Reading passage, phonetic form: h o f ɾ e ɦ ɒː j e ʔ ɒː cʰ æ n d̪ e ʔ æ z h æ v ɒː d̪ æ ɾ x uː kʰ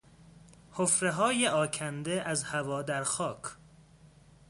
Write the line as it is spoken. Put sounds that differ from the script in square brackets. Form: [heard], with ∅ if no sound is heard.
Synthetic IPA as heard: h o f ɾ e ɦ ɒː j e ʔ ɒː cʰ æ n d̪ e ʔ æ z h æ v ɒː d̪ æ ɾ x [ɒː] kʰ